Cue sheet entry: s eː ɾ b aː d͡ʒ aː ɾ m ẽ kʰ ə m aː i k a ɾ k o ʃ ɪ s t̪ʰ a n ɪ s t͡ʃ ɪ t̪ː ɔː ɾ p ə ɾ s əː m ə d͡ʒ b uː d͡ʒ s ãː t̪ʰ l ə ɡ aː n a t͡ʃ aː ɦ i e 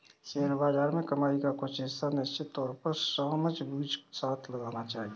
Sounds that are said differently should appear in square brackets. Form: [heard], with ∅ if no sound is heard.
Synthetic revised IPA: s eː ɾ b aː d͡ʒ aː ɾ m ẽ [k] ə m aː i k a [∅] k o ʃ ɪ s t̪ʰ a n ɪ s t͡ʃ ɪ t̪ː ɔː ɾ p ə ɾ s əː m ə d͡ʒ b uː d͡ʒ s [aː] t̪ʰ l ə ɡ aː n a t͡ʃ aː ɦ i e